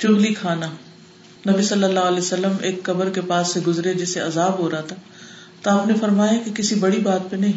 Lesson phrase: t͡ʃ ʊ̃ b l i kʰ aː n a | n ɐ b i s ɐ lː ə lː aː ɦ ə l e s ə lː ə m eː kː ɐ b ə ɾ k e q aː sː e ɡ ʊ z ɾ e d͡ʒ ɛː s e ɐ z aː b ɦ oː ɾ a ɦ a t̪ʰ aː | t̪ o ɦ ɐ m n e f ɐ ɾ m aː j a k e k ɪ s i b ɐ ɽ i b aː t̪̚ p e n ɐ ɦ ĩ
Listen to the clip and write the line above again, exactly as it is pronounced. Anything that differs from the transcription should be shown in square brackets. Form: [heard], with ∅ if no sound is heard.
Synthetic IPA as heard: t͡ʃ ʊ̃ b l i kʰ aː n a | n ɐ b i s ɐ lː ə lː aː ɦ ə l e s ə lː ə m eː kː ɐ b ə ɾ k e [p] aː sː e ɡ ʊ z ɾ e d͡ʒ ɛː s e ɐ z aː b ɦ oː ɾ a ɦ a t̪ʰ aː | t̪ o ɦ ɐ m n e f ɐ ɾ m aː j a k e k ɪ s i b ɐ ɽ i b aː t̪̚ p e n ɐ ɦ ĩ